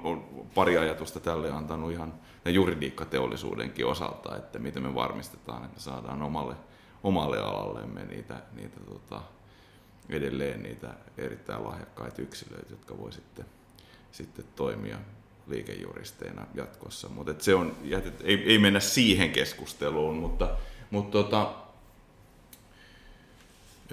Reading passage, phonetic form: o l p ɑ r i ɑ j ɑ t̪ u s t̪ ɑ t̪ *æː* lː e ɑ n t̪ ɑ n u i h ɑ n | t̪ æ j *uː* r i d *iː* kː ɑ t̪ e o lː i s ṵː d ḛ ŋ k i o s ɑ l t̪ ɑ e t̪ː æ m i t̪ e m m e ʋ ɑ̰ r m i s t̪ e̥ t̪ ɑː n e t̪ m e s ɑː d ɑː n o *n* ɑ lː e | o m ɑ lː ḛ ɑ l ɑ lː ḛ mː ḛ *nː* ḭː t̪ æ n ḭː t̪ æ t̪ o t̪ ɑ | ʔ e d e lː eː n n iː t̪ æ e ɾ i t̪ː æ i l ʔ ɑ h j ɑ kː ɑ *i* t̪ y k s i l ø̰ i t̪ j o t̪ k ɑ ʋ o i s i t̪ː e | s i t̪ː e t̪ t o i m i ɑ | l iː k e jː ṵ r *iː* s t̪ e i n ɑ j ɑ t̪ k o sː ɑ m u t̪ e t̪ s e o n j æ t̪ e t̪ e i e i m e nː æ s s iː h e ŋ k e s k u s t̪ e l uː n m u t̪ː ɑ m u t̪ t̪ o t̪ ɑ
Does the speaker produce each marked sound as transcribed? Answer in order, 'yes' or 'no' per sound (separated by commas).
no, no, yes, no, no, yes, no